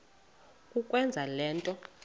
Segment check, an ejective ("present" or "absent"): present